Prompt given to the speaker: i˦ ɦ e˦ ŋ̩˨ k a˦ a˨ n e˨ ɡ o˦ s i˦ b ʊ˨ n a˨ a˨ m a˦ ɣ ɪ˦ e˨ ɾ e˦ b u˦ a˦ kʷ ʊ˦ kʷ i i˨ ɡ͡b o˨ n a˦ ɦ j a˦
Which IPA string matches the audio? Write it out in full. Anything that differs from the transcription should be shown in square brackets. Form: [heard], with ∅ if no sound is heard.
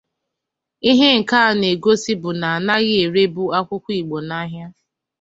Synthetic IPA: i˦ ɦ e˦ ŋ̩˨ k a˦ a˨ n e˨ ɡ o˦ s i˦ b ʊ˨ n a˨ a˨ [n] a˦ ɣ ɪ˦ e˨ ɾ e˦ b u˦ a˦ kʷ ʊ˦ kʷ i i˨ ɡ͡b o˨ n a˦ ɦ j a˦